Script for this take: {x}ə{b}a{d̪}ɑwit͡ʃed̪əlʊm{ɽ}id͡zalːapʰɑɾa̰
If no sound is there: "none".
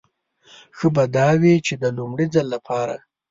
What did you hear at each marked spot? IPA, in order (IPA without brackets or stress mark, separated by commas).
x, b, d̪, ɽ